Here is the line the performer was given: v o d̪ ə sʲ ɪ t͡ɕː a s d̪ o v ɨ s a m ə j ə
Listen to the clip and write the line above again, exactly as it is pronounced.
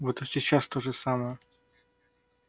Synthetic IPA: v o t̪ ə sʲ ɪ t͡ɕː a s t̪ o ʐ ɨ s a m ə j ə